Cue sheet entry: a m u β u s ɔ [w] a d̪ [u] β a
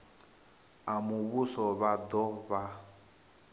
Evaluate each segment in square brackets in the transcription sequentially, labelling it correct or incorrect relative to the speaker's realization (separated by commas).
incorrect, incorrect